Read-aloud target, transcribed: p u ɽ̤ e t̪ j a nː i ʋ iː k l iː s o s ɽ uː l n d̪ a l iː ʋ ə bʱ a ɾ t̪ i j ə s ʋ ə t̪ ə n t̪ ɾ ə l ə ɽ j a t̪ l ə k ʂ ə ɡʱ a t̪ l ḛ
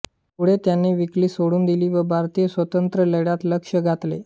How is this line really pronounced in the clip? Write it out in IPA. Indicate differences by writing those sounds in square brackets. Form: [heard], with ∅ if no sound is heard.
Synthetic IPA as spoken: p u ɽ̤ e t̪ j a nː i ʋ [i] k l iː s o [∅] ɽ uː [∅] n d̪ [i] l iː ʋ ə bʱ a ɾ t̪ i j ə s ʋ ə t̪ ə n t̪ ɾ ə l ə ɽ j a t̪ l ə k ʂ ə ɡʱ a t̪ l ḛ